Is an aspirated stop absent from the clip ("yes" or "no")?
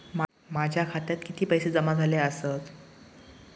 no